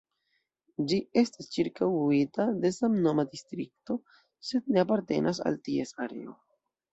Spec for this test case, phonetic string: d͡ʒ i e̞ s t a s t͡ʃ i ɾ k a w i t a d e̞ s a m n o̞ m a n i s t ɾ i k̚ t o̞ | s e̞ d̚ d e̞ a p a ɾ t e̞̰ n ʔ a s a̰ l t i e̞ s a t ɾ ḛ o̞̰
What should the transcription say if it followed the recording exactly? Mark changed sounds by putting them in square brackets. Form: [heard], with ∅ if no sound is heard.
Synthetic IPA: d͡ʒ i e̞ s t a s t͡ʃ i ɾ k a w i t a d e̞ s a m n o̞ m a [d] i s t ɾ i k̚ t o̞ | s e̞ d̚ [n] e̞ a p a ɾ t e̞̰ n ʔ a s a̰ l t i e̞ s a [∅] ɾ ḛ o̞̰

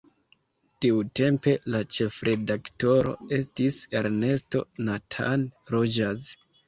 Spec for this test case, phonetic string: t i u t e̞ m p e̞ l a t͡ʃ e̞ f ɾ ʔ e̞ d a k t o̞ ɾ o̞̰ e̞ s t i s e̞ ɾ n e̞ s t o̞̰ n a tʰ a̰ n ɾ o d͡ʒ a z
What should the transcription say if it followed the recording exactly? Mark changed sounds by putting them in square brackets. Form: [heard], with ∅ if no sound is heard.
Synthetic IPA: t i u t e̞ m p e̞ l a t͡ʃ e̞ f ɾ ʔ e̞ d a k t o̞ ɾ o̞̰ e̞ s t i s e̞ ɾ n e̞ s t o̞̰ n a tʰ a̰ n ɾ o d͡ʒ a z

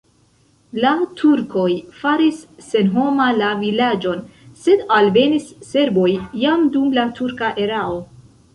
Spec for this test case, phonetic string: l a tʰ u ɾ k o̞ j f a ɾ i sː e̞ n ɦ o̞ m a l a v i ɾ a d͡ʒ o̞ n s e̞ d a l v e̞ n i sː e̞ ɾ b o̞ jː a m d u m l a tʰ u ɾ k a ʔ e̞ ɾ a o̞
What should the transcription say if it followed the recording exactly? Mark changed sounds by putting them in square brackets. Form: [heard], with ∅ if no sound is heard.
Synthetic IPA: l a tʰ u ɾ k o̞ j f a ɾ i sː e̞ n ɦ o̞ m a l a v i [l] a d͡ʒ o̞ n s e̞ d a l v e̞ n i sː e̞ ɾ b o̞ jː a m d u m l a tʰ u ɾ k a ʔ e̞ ɾ a o̞

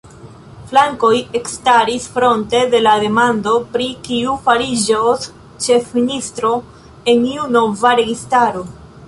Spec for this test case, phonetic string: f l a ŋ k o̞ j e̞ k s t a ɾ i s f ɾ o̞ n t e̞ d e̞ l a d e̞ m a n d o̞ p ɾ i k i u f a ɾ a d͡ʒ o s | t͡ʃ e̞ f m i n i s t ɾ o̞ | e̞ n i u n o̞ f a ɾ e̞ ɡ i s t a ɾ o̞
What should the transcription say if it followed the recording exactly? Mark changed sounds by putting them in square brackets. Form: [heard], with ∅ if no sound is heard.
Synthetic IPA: f l a ŋ k o̞ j e̞ k s t a ɾ i s f ɾ o̞ n t e̞ d e̞ l a d e̞ m a n d o̞ p ɾ i k i u f a ɾ [i] d͡ʒ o s | t͡ʃ e̞ f m i n i s t ɾ o̞ | e̞ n i u n o̞ [v] a ɾ e̞ ɡ i s t a ɾ o̞

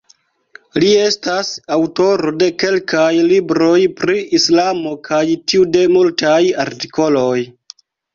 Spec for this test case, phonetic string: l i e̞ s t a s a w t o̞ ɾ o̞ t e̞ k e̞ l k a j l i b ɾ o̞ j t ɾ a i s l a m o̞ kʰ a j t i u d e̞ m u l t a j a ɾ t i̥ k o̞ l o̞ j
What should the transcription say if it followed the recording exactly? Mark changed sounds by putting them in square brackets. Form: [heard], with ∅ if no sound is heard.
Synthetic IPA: l i e̞ s t a s a w t o̞ ɾ o̞ [d] e̞ k e̞ l k a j l i b ɾ o̞ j [p] ɾ [i] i s l a m o̞ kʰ a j t i u d e̞ m u l t a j a ɾ t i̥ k o̞ l o̞ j

